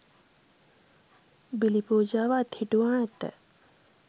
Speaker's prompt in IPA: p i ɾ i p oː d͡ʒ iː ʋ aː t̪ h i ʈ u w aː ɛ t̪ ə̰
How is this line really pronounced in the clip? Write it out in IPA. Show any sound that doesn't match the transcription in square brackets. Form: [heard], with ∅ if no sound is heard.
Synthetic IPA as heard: [b] i [l] i p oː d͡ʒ [aː] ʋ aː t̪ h i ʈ u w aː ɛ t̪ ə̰

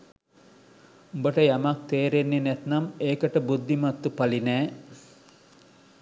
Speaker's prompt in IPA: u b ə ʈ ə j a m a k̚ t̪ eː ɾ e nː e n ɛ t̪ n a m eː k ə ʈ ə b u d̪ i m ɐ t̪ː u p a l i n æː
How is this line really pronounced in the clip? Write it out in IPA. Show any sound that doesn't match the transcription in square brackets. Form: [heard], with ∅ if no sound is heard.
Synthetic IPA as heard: u b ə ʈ ə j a m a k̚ t̪ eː ɾ e nː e n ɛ t̪ n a m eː k ə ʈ ə b u [d̪ː] i m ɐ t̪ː u p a l i n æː

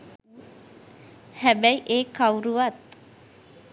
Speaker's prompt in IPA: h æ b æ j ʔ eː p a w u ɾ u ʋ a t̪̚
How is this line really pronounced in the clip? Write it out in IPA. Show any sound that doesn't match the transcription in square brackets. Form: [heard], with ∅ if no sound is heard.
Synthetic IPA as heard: h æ b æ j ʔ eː [k] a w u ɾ u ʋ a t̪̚

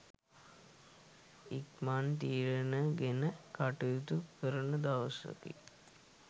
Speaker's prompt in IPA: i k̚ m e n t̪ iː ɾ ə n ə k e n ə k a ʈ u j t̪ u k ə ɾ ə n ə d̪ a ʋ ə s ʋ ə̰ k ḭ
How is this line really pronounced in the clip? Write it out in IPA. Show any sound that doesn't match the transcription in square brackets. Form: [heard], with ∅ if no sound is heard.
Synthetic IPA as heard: i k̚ m [a] n t̪ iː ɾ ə n ə [ɡ] e n ə k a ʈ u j t̪ u k ə ɾ ə n ə d̪ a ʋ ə s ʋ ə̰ k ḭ

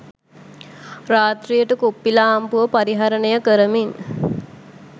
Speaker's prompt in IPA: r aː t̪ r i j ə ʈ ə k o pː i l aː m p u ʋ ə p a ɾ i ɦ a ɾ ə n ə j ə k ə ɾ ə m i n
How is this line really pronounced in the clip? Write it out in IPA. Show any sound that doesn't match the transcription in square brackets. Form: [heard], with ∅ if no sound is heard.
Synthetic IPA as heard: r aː t̪ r i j ə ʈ ə k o pː i l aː m p u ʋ ə p a ɾ i ɦ a ɾ ə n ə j ə k ə ɾ ə m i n

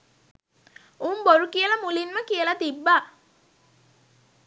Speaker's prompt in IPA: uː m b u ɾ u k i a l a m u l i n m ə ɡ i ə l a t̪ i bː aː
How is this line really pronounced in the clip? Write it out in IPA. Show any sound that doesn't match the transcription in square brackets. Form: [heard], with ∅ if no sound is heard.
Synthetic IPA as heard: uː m b [o] ɾ u k i [ə] l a m u l i n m ə [k] i ə l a t̪ i bː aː

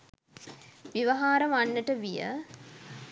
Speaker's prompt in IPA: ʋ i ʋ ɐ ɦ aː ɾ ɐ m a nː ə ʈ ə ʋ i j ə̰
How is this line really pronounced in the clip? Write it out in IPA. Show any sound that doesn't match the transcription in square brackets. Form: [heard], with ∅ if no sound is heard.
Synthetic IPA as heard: ʋ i ʋ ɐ ɦ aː ɾ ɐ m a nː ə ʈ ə ʋ i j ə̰

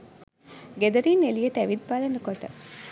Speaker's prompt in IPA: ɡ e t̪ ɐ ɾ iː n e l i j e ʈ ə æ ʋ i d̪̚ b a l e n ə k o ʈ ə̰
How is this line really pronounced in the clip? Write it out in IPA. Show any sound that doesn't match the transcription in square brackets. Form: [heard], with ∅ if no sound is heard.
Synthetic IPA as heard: ɡ e [d̪] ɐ ɾ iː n e l i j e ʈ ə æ ʋ i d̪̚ b a l e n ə k o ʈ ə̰

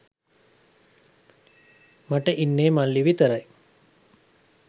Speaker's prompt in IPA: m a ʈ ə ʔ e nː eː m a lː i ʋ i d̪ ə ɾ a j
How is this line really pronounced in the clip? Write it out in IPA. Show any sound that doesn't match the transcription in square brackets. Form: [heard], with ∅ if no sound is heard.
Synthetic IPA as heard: m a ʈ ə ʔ [i] nː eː m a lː i ʋ i [t̪] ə ɾ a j

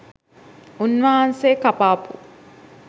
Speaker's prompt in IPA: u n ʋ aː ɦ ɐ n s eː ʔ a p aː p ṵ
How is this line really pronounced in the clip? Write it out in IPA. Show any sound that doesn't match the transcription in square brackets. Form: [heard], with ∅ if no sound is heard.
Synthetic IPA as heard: u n ʋ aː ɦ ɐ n s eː [k] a p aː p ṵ

